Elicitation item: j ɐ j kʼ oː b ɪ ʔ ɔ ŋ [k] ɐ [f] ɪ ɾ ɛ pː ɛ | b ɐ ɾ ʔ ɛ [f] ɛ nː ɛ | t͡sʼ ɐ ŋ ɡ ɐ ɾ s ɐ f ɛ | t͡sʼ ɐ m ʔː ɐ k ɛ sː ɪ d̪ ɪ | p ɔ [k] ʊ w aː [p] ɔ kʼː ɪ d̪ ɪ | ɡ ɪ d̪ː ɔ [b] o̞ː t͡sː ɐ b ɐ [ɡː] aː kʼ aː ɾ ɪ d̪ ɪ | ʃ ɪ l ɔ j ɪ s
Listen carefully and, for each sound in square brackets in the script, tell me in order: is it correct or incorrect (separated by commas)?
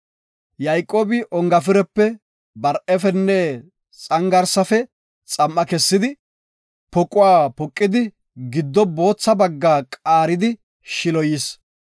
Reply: incorrect, correct, correct, incorrect, correct, correct, correct